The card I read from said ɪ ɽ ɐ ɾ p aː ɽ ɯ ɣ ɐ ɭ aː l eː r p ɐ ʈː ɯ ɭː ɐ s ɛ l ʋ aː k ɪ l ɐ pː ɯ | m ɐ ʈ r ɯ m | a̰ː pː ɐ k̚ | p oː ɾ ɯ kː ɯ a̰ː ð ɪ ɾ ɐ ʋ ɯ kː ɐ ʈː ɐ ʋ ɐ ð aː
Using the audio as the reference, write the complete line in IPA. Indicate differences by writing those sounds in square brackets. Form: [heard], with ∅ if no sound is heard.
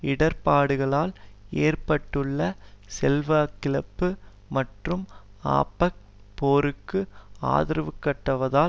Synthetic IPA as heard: ɪ ɽ ɐ ɾ p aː ɽ ɯ ɣ ɐ ɭ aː l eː r p ɐ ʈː ɯ ɭː ɐ s ɛ l ʋ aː k ɪ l ɐ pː ɯ | m ɐ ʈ r ɯ m | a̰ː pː ɐ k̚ | p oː ɾ ɯ kː ɯ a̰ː ð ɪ ɾ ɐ ʋ ɯ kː ɐ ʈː ɐ ʋ ɐ ð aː

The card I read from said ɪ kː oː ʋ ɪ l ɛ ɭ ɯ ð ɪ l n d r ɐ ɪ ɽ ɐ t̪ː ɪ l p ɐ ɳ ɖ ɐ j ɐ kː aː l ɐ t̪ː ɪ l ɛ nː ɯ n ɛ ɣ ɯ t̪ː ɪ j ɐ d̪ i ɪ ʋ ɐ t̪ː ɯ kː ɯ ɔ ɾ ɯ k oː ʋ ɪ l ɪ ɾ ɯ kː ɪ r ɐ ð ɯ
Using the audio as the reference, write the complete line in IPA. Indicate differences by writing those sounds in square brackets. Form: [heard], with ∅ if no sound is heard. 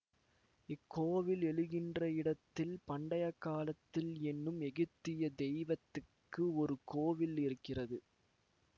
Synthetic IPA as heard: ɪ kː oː ʋ ɪ l ɛ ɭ ɯ [ɣ] ɪ [∅] n d r ɐ ɪ ɽ ɐ t̪ː ɪ l p ɐ ɳ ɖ ɐ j ɐ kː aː l ɐ t̪ː ɪ l ɛ nː ɯ [m] ɛ ɣ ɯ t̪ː ɪ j ɐ d̪ [ɛ] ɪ ʋ ɐ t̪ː ɯ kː ɯ ɔ ɾ ɯ k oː ʋ ɪ l ɪ ɾ ɯ kː ɪ r ɐ ð ɯ

